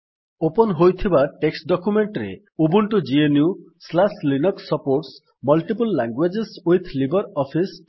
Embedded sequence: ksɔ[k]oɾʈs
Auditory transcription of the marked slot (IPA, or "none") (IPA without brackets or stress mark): p